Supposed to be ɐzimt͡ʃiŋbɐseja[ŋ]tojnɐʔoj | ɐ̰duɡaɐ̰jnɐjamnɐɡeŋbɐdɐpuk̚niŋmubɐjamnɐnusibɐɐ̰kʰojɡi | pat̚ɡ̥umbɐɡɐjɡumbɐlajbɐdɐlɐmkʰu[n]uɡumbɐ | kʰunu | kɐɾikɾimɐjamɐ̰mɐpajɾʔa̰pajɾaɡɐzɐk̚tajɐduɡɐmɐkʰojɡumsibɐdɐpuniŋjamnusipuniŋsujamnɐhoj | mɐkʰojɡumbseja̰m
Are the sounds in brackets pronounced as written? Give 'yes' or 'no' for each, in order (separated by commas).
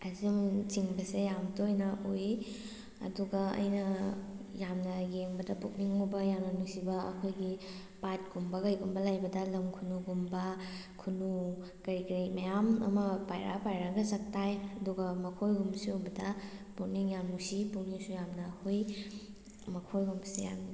no, yes